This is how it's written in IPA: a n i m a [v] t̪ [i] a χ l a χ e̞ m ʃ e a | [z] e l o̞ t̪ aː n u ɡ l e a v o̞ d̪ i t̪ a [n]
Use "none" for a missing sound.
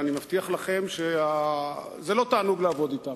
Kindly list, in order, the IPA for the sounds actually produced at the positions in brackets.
f, i, z, m

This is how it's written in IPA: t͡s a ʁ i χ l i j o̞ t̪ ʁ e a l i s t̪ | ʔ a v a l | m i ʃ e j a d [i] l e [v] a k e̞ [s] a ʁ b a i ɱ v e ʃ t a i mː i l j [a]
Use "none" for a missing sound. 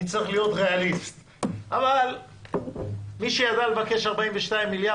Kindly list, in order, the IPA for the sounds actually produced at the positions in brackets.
a, v, ʃ, a

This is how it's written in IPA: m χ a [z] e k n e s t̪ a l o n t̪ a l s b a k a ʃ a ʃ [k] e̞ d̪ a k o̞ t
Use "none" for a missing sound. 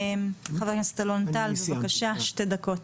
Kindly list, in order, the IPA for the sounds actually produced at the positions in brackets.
v, t

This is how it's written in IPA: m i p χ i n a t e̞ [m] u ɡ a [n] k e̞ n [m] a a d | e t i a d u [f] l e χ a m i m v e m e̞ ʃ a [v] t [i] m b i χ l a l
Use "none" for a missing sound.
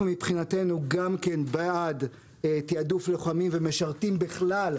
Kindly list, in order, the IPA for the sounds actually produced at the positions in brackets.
n, m, b, f, ʁ, i

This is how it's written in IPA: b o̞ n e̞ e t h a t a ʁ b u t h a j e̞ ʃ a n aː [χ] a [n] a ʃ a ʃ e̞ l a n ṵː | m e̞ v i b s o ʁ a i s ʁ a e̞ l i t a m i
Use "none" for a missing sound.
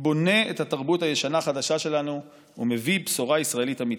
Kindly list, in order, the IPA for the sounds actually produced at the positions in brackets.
χ, d

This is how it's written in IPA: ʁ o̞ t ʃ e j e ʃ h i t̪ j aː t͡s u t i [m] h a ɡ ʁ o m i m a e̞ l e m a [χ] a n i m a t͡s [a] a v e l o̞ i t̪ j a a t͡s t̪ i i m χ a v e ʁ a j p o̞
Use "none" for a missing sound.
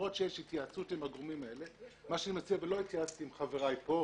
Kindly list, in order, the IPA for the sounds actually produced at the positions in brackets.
m, ʃ, i

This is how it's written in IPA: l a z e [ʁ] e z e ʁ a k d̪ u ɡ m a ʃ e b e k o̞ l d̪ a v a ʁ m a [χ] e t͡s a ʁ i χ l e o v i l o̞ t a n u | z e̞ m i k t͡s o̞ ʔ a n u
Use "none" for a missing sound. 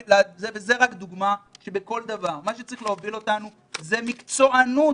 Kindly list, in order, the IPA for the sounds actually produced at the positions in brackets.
v, ʃ

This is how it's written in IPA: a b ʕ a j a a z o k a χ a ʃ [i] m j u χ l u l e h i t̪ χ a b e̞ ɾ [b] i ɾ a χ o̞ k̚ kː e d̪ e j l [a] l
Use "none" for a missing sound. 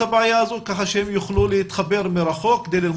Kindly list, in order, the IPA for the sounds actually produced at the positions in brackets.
e, m, i

